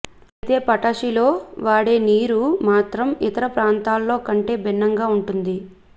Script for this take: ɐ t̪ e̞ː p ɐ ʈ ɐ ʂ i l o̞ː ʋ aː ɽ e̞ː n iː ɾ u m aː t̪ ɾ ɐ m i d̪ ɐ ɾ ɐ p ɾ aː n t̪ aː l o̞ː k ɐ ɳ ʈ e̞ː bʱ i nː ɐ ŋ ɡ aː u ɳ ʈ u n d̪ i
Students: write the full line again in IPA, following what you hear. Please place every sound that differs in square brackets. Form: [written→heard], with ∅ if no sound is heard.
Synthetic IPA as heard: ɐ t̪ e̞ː p ɐ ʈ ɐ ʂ i l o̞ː ʋ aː ɽ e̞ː n iː ɾ u m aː t̪ ɾ ɐ m i [d̪→t̪] ɐ ɾ ɐ p ɾ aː n t̪ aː [l→lː] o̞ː k ɐ ɳ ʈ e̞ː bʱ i nː ɐ ŋ ɡ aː u ɳ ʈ u n d̪ i

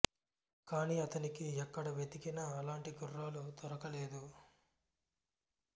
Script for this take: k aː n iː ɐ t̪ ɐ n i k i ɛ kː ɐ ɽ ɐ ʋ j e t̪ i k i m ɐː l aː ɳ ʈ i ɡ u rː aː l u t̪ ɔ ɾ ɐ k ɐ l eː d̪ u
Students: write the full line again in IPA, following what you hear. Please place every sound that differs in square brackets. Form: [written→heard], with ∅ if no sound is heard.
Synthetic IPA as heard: k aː n iː ɐ t̪ ɐ n i k i ɛ kː ɐ ɽ ɐ ʋ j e t̪ i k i [m→n] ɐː l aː ɳ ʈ i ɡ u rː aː l u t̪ ɔ ɾ ɐ k ɐ l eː d̪ u

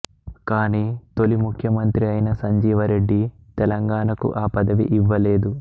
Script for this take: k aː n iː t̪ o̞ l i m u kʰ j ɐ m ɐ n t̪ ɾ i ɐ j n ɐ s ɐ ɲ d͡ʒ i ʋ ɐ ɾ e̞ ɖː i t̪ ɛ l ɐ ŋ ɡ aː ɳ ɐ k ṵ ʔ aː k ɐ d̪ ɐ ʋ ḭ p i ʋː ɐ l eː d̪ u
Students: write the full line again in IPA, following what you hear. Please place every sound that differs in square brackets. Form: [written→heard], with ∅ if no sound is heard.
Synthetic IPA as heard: k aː n iː t̪ o̞ l i m u kʰ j ɐ m ɐ n t̪ ɾ i ɐ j n ɐ s ɐ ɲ d͡ʒ [i→iː] ʋ ɐ ɾ e̞ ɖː i t̪ ɛ l ɐ ŋ ɡ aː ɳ ɐ k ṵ ʔ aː [k→p] ɐ d̪ ɐ ʋ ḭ [p→ʔ] i ʋː ɐ l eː d̪ u

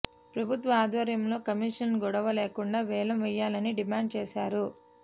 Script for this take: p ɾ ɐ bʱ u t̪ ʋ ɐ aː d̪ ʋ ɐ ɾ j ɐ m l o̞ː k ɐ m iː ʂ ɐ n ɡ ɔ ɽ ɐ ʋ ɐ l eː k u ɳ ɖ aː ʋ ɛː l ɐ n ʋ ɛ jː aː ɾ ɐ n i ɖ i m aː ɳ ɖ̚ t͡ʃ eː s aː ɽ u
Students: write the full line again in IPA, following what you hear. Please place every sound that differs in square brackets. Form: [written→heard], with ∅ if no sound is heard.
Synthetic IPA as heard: p ɾ ɐ bʱ u t̪ ʋ ɐ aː d̪ ʋ ɐ ɾ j ɐ m l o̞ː k ɐ m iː ʂ ɐ n ɡ ɔ ɽ ɐ ʋ ɐ l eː k u ɳ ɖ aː ʋ ɛː l ɐ [n→m] ʋ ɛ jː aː [ɾ→l] ɐ n i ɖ i m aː ɳ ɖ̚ t͡ʃ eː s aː [ɽ→ɾ] u

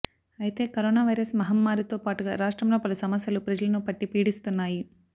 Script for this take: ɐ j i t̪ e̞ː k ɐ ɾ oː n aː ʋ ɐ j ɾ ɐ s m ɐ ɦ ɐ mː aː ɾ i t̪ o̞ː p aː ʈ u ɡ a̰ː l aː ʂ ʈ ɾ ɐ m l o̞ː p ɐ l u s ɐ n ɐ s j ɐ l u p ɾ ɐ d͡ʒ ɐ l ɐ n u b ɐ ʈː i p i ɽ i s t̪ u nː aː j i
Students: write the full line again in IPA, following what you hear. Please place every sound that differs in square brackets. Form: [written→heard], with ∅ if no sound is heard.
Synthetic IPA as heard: ɐ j i t̪ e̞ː k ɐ ɾ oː n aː ʋ ɐ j ɾ ɐ s m ɐ ɦ ɐ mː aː ɾ i t̪ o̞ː p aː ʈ u ɡ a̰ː [l→ɾ] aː ʂ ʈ ɾ ɐ m l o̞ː p ɐ l u s ɐ [n→m] ɐ s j ɐ l u p ɾ ɐ d͡ʒ ɐ l ɐ n u [b→p] ɐ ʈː i p [i→iː] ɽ i s t̪ u nː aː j i

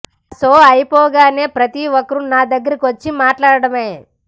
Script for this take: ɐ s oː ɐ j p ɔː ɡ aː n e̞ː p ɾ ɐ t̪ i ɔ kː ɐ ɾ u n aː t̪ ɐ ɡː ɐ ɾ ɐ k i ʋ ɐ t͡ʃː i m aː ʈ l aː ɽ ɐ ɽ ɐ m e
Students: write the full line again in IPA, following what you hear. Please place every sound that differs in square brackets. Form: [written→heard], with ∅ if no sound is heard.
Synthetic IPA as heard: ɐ s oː ɐ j p ɔː ɡ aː n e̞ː p ɾ ɐ t̪ i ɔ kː ɐ ɾ u n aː [t̪→d̪] ɐ ɡː ɐ ɾ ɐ k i ʋ ɐ t͡ʃː i m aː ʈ l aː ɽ ɐ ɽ ɐ m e

